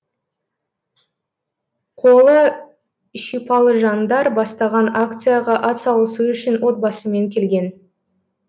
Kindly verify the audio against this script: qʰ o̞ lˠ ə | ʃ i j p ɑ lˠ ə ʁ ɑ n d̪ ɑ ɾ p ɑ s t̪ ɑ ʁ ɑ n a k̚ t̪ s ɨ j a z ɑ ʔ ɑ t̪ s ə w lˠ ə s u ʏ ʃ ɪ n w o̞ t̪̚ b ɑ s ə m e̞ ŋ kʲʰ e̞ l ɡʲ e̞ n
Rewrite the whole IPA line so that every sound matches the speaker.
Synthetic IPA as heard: qʰ o̞ lˠ ə | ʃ i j p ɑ lˠ ə ʒ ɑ n d̪ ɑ ɾ b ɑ s t̪ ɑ ʁ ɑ n a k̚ t̪ s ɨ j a ʁ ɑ ʔ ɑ t̪ s ɑ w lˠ ə s u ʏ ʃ ɪ n w o̞ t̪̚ b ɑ s ə m e̞ ŋ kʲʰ e̞ l ɡʲ e̞ n